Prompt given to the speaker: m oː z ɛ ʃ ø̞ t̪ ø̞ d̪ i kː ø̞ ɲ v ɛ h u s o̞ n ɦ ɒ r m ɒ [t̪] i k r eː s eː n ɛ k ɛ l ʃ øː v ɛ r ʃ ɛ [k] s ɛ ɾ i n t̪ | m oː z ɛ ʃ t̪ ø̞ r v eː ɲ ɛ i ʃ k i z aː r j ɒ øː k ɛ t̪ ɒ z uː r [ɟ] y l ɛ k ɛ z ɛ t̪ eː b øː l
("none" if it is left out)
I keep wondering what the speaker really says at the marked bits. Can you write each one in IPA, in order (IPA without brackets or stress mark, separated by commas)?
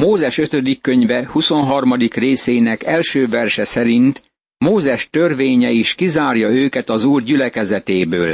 d̪, none, ɟ